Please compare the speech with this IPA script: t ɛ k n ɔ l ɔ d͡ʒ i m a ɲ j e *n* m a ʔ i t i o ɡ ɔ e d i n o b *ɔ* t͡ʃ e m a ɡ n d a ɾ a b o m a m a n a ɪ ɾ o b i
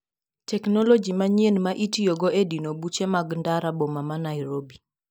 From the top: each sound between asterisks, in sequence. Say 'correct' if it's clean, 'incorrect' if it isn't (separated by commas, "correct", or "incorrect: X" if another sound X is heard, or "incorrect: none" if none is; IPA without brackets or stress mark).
correct, incorrect: u